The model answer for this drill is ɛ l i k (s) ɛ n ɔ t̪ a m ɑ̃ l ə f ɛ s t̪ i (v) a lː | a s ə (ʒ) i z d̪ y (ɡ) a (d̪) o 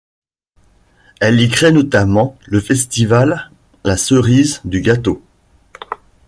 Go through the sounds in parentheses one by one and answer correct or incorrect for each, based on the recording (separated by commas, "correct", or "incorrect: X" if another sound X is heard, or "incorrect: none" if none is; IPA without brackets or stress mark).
incorrect: χ, correct, incorrect: ʁ, correct, incorrect: t̪